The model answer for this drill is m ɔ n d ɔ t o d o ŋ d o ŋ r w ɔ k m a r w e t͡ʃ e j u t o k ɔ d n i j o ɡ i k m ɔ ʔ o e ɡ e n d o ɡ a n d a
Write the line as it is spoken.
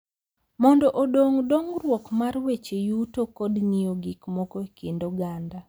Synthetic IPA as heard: m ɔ n d ɔ ʔ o d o ŋ d o ŋ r w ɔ k m a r w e t͡ʃ e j u t o k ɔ d n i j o ɡ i k m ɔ k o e k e n d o ɡ a n d a